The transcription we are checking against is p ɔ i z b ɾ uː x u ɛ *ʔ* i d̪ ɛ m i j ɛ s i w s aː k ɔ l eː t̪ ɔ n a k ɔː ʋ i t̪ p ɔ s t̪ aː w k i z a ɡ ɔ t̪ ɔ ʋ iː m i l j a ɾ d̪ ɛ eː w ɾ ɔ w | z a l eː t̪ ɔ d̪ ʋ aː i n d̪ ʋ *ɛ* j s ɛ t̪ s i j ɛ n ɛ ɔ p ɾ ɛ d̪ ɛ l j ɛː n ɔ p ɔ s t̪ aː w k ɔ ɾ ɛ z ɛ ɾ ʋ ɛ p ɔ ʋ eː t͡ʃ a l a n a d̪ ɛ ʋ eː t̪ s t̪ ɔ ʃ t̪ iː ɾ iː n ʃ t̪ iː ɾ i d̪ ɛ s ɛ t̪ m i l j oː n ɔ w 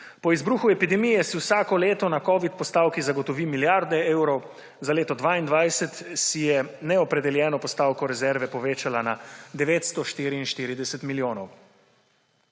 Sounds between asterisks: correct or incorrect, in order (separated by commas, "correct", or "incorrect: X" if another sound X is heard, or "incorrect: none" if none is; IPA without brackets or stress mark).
incorrect: p, incorrect: a